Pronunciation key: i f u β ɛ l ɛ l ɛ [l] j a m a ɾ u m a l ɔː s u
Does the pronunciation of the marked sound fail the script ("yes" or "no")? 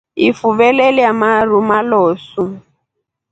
yes